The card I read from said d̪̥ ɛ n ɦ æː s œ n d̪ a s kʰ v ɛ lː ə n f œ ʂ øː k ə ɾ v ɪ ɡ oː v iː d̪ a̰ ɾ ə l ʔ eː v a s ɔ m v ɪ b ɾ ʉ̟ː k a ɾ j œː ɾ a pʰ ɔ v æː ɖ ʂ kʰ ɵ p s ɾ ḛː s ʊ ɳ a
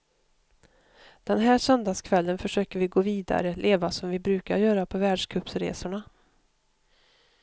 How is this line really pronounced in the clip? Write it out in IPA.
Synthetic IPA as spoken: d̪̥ ɛ n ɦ æː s œ n d̪ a s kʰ v ɛ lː ə n f œ ʂ øː k ə ɾ v ɪ ɡ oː v iː d̪ a̰ ɾ ə l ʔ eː v a s ɔ m v ɪ b ɾ ʉ̟ː k a ɾ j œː ɾ a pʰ ɔ v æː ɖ ʂ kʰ ɵ p s ɾ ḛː s ʊ ɳ a